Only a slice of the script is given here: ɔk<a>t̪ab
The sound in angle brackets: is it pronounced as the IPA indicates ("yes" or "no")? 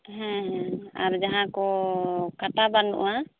yes